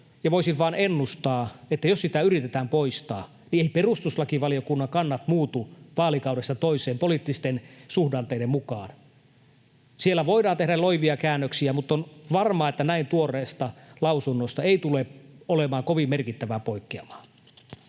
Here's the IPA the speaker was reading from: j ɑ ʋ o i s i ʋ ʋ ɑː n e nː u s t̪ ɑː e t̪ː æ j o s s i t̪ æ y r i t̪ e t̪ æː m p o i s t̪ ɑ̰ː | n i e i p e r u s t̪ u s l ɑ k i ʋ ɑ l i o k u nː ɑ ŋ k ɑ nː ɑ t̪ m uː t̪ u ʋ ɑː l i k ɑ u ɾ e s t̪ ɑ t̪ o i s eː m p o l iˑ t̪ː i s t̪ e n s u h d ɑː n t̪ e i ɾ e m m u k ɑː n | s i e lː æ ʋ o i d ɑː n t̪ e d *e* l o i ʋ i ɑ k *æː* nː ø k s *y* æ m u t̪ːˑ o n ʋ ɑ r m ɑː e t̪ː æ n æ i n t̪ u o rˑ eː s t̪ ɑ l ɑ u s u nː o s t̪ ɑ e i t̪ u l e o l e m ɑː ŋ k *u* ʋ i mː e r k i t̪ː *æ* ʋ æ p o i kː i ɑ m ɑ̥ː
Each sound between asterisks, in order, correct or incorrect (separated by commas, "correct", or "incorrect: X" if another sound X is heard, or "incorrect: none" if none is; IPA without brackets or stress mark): incorrect: æ, correct, incorrect: i, incorrect: o, correct